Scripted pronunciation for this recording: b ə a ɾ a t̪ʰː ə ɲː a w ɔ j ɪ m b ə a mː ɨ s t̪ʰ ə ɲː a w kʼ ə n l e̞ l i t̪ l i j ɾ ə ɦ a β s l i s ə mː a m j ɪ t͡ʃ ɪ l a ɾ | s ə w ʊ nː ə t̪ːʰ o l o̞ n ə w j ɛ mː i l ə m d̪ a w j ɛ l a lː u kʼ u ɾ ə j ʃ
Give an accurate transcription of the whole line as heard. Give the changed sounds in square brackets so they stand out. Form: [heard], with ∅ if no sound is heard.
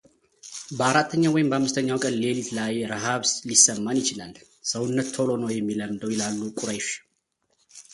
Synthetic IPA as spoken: b ə a ɾ a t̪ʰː ə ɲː a w ɔ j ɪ m b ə a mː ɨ s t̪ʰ ə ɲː a w kʼ ə n l e̞ l i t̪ l [a] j ɾ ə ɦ a β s l i s ə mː a [n] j ɪ t͡ʃ ɪ l a [l] | s ə w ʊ nː ə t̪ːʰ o l o̞ n ə w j ɛ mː i l ə m d̪ [ə] w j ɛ l a lː u kʼ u ɾ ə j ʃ